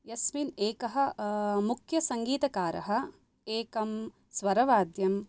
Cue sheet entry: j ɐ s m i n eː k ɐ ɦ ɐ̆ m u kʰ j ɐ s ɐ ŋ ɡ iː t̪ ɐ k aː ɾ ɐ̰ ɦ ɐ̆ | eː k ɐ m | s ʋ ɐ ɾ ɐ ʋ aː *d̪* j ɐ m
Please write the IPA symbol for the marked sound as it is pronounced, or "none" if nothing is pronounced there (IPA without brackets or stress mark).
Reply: d̪